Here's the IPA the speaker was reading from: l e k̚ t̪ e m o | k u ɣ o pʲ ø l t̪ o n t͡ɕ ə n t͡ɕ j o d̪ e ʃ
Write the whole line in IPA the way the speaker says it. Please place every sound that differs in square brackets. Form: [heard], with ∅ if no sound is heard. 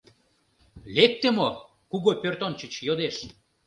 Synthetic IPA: l e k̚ t̪ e m o | k u ɣ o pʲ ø [r] t̪ o n t͡ɕ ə [∅] t͡ɕ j o d̪ e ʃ